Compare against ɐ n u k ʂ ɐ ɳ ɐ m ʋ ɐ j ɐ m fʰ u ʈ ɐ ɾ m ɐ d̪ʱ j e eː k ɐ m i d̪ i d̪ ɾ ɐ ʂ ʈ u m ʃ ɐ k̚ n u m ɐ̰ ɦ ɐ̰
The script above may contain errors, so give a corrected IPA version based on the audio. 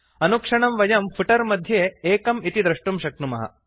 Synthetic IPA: ɐ n u k ʂ ɐ ɳ ɐ m ʋ ɐ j ɐ m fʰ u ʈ ɐ ɾ m ɐ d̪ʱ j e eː k ɐ m i t̪ i d̪ ɾ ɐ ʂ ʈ u m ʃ ɐ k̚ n u m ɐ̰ ɦ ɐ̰